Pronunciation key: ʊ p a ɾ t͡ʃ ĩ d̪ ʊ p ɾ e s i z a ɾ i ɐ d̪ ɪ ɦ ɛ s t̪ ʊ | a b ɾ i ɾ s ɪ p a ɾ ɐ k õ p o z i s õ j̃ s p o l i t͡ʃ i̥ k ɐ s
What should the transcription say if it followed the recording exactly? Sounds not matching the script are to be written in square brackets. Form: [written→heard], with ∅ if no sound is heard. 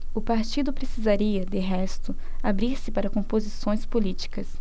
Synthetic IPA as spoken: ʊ p a ɾ t͡ʃ [ĩ→i] d̪ ʊ p ɾ e s i z a ɾ i ɐ d̪ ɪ ɦ ɛ s t̪ ʊ | a b ɾ i ɾ s ɪ p a ɾ ɐ k õ p o z i s õ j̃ s p o l i t͡ʃ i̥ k ɐ s